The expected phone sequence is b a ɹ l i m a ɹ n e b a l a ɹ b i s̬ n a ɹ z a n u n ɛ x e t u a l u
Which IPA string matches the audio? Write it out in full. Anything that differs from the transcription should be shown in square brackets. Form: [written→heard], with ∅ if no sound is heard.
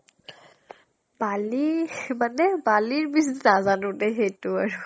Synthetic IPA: b a [ɹ→∅] l i m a [ɹ→∅] n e b a l [a→i] ɹ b i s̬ n a [ɹ→∅] z a n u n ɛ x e t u a [l→ɹ] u